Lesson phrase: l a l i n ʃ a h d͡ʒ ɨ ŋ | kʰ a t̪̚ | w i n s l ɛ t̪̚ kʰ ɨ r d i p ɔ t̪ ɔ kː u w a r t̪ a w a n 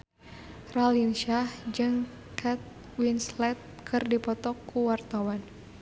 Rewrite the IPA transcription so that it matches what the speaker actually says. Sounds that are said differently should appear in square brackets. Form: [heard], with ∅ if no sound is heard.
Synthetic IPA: [r] a l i n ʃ a h d͡ʒ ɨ ŋ | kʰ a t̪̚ | w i n s l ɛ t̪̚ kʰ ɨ r d i p ɔ t̪ ɔ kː u w a r t̪ a w a n